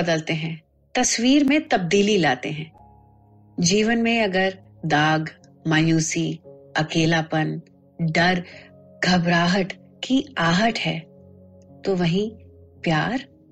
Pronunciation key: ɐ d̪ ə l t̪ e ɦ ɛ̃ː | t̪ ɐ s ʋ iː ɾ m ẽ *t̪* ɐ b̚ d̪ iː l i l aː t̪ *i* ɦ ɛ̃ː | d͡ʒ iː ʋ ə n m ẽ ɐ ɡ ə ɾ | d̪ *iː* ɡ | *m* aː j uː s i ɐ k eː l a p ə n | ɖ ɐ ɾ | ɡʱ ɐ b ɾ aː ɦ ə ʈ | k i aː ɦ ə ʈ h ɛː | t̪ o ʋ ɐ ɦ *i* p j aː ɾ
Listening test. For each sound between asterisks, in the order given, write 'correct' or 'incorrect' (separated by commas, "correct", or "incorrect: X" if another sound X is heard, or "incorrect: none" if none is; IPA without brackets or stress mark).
correct, incorrect: e, incorrect: aː, correct, incorrect: ĩ